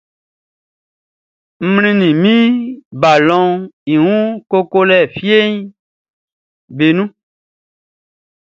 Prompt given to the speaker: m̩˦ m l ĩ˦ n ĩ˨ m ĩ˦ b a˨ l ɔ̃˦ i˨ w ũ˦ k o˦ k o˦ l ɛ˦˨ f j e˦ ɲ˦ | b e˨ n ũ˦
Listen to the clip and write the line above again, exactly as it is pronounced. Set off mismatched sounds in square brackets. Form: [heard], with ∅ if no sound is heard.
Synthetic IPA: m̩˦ m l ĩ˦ n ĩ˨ m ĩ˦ b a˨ l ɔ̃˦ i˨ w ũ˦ k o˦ k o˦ l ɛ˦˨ f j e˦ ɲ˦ | b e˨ n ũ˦